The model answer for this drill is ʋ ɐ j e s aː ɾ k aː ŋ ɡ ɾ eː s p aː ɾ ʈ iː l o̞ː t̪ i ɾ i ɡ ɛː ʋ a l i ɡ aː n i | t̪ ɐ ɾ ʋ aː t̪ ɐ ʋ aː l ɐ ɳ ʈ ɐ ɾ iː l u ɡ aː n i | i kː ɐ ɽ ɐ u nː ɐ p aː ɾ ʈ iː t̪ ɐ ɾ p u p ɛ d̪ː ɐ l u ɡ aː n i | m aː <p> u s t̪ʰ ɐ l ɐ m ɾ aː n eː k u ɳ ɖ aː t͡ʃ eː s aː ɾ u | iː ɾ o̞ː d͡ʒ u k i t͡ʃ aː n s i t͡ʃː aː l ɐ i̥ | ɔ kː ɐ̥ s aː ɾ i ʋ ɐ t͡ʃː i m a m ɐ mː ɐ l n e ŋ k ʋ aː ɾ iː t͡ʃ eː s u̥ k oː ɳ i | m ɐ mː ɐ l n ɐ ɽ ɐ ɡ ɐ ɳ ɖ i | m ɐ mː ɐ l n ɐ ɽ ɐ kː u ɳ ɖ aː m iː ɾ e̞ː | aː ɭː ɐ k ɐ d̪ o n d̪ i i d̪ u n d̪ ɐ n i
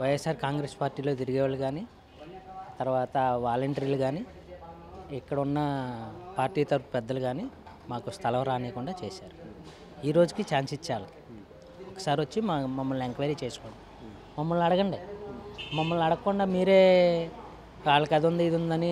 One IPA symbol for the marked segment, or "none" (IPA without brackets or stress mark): k